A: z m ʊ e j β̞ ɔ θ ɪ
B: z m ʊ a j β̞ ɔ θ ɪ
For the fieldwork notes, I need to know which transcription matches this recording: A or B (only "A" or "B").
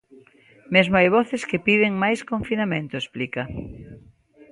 B